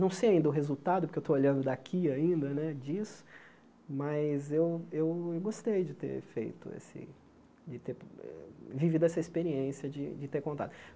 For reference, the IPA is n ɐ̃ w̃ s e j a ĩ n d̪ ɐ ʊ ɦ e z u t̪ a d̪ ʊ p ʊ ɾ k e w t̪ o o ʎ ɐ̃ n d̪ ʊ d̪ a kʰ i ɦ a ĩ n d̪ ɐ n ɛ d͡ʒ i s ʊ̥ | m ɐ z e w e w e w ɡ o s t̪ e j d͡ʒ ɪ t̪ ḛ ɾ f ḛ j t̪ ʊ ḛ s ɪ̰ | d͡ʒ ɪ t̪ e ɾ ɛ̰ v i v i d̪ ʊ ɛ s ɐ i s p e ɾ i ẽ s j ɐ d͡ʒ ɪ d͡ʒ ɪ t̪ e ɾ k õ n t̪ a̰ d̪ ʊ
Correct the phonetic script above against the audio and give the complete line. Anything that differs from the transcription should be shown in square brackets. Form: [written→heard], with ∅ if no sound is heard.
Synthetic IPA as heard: n ɐ̃ w̃ s e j a ĩ n d̪ ɐ ʊ ɦ e z u t̪ a d̪ ʊ p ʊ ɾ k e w t̪ o o ʎ ɐ̃ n d̪ ʊ d̪ a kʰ i [ɦ→∅] a ĩ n d̪ ɐ n ɛ d͡ʒ i s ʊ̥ | m ɐ z e w e w e w ɡ o s t̪ e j d͡ʒ ɪ t̪ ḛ ɾ f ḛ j t̪ ʊ ḛ s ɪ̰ | d͡ʒ ɪ t̪ e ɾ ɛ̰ v i v i d̪ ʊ ɛ s ɐ i s p e ɾ i ẽ s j ɐ d͡ʒ ɪ d͡ʒ ɪ t̪ e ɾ k õ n t̪ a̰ d̪ ʊ